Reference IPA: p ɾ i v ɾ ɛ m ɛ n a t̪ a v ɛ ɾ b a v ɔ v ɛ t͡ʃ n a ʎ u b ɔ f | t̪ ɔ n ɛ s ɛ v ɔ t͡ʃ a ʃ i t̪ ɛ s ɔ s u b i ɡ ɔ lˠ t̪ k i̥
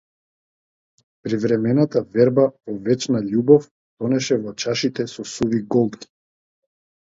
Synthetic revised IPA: p ɾ i v ɾ ɛ m ɛ n a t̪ a v ɛ ɾ b a v ɔ v ɛ t͡ʃ n a ʎ u b ɔ f | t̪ ɔ n ɛ ʃ ɛ v ɔ t͡ʃ a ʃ i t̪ ɛ s ɔ s u v i ɡ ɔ lˠ t̪ k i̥